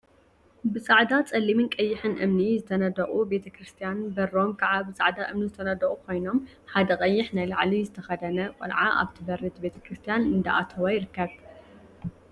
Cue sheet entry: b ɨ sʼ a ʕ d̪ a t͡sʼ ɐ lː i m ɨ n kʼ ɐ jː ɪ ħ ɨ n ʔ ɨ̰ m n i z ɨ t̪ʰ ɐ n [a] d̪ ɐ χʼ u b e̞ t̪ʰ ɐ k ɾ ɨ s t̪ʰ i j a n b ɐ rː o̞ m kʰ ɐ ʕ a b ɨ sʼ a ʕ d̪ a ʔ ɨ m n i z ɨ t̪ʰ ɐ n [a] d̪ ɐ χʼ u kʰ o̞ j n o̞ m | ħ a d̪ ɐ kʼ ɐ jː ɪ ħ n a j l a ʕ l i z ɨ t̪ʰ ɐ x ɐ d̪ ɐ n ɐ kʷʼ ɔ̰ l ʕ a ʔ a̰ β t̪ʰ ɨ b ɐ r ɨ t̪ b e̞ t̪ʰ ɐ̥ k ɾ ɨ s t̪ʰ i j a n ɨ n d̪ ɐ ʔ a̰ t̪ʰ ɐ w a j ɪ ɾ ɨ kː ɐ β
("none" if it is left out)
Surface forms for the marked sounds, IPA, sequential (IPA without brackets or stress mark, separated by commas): ɐ, ɐ